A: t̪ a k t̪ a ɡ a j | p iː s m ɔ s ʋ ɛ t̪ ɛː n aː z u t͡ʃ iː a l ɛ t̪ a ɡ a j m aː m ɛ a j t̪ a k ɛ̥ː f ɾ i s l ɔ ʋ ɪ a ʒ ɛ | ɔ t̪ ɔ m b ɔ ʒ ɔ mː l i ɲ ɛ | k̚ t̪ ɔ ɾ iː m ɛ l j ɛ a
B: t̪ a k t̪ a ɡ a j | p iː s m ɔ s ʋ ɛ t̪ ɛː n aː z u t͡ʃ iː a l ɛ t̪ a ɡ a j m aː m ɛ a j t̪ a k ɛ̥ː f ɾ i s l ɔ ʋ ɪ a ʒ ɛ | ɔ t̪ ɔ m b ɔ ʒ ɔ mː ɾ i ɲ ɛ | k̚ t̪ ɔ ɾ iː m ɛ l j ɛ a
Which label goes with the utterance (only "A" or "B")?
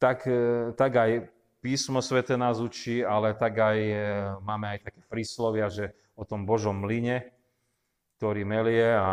A